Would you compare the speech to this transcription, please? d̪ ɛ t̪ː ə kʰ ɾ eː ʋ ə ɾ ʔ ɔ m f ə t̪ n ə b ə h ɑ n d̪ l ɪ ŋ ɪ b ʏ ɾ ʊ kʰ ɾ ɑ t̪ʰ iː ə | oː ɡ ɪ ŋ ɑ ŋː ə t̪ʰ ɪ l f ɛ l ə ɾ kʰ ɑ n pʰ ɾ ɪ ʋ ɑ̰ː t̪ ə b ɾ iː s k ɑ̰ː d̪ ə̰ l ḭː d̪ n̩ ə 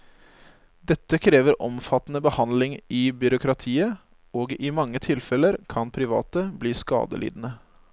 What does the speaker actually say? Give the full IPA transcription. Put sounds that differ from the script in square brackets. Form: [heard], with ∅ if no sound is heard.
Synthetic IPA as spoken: d̪ ɛ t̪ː ə kʰ ɾ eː ʋ ə ɾ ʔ ɔ m f [ɑ] t̪ n ə b ə h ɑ n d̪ l ɪ ŋ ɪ b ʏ ɾ ʊ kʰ ɾ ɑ t̪ʰ iː ə | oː ɡ ɪ [m] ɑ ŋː ə t̪ʰ ɪ l f ɛ l ə ɾ kʰ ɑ n pʰ ɾ ɪ ʋ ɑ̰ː t̪ ə b [l] iː s k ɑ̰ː d̪ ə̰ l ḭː d̪ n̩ ə